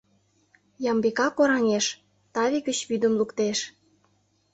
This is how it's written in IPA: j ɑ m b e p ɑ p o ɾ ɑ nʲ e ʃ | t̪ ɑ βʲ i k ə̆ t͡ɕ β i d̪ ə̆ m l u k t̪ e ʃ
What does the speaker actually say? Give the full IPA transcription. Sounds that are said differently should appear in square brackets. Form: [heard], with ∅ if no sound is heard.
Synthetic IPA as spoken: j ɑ m b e [k] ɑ [k] o ɾ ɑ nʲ e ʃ | t̪ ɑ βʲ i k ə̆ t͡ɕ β [y] d̪ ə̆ m l u k t̪ e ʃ

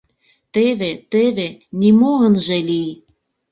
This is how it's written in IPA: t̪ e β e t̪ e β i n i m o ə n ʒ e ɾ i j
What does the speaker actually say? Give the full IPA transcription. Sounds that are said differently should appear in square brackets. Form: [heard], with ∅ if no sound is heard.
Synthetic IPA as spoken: t̪ e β e t̪ e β [e] n i m o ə n ʒ e [l] i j

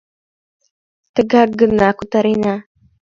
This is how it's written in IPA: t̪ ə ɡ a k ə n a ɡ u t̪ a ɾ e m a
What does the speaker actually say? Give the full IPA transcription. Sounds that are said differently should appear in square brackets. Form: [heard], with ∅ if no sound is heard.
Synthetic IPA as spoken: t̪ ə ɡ a [ɡ] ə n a [k] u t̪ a ɾ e [n] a

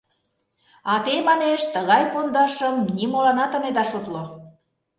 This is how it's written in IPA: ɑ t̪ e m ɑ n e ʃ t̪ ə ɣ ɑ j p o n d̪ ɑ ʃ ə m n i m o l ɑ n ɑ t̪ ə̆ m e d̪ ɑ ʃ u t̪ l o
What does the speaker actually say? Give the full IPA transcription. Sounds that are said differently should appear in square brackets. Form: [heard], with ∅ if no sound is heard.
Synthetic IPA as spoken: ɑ t̪ e m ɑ n e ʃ t̪ ə ɣ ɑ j p o n d̪ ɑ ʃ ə m n i m o l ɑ n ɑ t̪ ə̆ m e d̪ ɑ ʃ u t̪ l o

